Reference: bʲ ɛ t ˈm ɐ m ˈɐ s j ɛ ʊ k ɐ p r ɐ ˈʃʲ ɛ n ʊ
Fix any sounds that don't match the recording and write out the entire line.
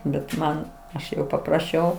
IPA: bʲ ɛ t ˈm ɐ n ˈɐ ʃ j ɛ ʊ p ɐ p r ɐ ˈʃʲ ɛ ʊ